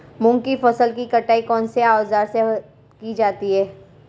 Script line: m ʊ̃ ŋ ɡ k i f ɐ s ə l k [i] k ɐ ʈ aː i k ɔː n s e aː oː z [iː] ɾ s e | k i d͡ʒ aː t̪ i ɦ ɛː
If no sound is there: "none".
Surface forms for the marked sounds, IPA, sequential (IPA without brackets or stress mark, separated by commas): i, aː